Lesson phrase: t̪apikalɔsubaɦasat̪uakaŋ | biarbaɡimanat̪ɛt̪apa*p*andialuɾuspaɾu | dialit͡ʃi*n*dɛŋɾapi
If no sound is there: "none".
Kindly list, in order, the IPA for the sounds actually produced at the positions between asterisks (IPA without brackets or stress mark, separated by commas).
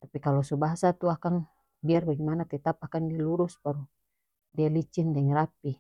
k, n